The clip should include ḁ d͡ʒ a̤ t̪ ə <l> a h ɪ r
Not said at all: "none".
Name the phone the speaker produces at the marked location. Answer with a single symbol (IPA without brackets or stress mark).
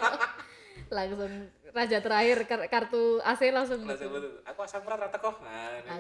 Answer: ɾ